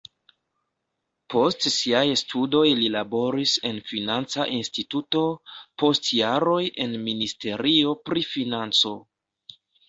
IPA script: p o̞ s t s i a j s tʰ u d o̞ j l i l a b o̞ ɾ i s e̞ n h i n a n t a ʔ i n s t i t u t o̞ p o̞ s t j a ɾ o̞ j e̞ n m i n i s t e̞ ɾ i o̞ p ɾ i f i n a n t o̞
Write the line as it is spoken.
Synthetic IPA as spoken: p o̞ s t s i a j s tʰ u d o̞ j l i l a b o̞ ɾ i s e̞ n f i n a n t͡s a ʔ i n s t i t u t o̞ p o̞ s t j a ɾ o̞ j e̞ n m i n i s t e̞ ɾ i o̞ p ɾ i f i n a n t͡s o̞